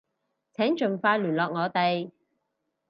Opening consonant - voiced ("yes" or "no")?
no